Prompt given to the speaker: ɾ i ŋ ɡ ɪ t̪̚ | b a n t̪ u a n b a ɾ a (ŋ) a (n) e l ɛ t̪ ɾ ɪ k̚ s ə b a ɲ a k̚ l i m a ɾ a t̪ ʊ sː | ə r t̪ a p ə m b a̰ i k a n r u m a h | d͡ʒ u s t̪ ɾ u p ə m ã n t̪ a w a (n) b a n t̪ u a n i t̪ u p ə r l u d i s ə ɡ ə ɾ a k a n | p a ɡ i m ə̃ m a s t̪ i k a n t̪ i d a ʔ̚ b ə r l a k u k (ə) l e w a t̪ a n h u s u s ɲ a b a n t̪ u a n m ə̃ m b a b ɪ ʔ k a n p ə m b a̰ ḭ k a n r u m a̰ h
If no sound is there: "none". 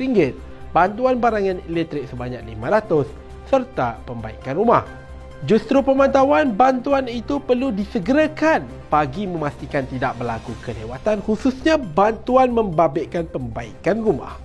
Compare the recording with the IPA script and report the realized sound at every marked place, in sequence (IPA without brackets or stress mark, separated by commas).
ŋ, n, n, ə